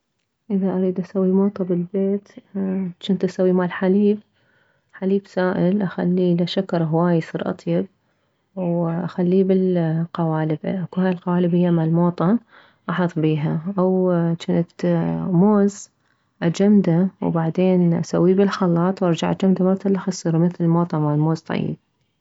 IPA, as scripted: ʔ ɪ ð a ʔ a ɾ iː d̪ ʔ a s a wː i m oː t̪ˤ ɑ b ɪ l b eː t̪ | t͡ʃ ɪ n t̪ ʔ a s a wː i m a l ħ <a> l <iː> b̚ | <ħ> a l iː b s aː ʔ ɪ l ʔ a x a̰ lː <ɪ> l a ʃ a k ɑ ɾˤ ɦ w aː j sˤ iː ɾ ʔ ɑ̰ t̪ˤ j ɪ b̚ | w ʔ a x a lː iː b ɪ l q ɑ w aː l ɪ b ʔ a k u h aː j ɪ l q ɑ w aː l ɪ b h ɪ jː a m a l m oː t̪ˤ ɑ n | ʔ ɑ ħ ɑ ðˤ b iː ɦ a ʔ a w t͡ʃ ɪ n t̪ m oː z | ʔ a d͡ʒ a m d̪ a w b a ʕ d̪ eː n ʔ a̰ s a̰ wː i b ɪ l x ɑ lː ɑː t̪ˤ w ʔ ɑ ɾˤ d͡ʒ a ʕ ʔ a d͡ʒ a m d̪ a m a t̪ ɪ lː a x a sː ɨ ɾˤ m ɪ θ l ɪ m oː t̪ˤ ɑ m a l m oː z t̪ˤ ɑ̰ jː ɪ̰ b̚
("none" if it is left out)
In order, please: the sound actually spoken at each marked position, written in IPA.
a, iː, ħ, i

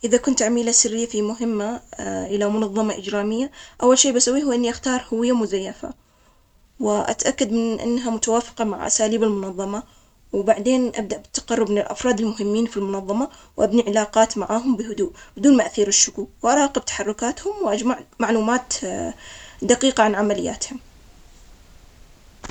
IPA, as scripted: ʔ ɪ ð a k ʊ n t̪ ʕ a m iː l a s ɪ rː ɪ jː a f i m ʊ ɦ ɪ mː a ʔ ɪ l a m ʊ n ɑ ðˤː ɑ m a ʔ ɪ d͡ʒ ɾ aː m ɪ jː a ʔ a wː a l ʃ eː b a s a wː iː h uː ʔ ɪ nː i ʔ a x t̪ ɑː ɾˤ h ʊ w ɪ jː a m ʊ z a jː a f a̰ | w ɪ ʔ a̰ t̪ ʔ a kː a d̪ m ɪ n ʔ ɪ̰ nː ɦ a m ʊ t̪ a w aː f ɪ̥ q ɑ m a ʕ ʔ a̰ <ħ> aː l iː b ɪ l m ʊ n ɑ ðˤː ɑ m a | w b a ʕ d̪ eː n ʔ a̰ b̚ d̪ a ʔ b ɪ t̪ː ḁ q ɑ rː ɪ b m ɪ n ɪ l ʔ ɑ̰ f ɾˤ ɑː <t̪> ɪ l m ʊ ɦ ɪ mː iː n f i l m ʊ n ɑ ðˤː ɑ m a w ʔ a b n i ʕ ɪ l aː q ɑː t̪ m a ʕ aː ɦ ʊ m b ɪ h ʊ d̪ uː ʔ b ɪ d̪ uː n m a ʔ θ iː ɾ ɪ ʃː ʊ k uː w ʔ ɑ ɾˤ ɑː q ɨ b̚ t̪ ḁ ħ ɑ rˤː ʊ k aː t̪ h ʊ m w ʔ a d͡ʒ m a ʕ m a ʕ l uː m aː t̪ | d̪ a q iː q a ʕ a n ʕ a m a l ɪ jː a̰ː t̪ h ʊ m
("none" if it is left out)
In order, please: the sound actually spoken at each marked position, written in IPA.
s, d̪

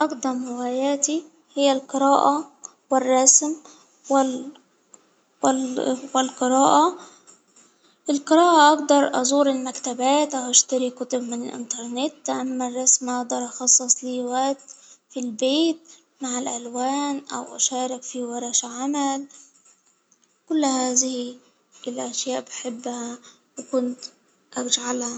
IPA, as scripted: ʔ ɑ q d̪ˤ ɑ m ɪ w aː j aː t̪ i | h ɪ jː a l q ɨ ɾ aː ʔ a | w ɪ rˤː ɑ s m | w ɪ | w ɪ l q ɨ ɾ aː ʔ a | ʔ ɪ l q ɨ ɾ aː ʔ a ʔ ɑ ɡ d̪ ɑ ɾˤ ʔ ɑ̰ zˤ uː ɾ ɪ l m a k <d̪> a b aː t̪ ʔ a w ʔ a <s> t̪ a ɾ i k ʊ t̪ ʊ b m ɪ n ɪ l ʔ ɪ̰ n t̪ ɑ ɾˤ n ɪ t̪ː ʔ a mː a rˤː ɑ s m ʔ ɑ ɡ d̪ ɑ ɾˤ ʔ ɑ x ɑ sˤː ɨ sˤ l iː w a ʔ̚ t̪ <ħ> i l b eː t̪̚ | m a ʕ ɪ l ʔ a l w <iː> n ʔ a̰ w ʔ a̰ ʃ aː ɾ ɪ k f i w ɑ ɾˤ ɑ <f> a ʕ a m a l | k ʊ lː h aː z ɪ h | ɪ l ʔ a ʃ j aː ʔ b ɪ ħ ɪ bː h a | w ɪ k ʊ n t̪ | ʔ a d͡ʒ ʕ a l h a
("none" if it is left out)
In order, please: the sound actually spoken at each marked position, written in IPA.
t̪, ʃ, f, aː, ʃ

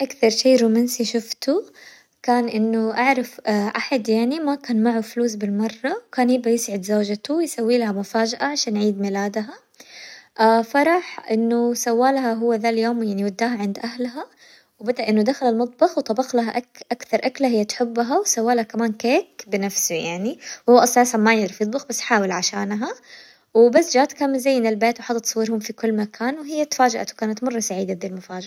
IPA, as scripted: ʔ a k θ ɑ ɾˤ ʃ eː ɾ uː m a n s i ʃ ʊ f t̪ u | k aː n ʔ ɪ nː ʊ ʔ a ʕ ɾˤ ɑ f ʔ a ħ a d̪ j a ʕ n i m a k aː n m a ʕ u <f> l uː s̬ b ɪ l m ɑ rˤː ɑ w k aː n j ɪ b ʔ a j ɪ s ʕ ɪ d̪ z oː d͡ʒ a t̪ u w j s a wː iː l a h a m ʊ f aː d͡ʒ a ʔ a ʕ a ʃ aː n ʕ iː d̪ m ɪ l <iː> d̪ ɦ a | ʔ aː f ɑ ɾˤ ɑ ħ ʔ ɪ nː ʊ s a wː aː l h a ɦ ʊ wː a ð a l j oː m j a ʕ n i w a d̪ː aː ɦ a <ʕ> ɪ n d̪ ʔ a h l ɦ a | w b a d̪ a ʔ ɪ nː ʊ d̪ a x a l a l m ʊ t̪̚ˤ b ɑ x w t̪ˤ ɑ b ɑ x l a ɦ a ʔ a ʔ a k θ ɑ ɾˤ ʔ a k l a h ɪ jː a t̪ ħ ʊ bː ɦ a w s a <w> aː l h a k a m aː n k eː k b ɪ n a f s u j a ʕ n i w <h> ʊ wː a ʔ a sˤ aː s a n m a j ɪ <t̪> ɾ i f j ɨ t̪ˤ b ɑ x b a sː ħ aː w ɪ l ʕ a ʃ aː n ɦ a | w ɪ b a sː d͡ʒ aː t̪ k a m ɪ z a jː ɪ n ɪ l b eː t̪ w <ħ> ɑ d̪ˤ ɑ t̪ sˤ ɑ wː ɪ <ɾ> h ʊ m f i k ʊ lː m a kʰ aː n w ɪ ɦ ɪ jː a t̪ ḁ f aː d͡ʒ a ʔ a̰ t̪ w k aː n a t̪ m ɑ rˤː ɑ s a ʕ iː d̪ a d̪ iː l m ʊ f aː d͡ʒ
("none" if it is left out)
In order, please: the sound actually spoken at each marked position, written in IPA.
f, aː, ʕ, wː, h, d̪, ħ, ɾ

